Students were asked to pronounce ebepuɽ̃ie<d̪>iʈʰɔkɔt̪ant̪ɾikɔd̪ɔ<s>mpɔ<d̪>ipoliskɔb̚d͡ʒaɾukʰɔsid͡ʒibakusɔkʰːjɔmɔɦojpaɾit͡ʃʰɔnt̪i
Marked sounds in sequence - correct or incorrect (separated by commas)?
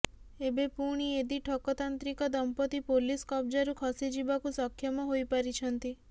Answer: correct, incorrect, incorrect